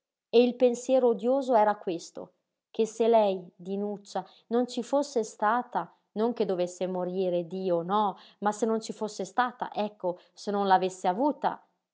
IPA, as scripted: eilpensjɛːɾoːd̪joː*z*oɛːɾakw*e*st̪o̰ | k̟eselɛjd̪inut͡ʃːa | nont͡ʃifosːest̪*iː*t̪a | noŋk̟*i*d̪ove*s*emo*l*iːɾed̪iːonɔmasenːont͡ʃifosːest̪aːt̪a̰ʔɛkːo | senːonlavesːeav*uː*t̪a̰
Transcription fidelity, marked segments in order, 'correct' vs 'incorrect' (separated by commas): correct, correct, incorrect, incorrect, incorrect, incorrect, correct